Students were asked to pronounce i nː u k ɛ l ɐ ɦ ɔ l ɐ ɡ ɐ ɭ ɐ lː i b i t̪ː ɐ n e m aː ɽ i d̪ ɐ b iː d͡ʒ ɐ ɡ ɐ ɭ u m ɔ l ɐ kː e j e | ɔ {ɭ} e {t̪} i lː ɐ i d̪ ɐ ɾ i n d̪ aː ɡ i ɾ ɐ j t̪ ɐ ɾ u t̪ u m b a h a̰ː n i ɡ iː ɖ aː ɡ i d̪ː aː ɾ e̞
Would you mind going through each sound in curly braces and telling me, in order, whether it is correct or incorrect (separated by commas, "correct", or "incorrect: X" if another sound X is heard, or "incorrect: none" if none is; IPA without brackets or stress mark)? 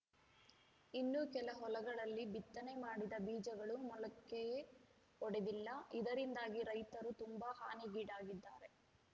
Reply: incorrect: ɽ, incorrect: d̪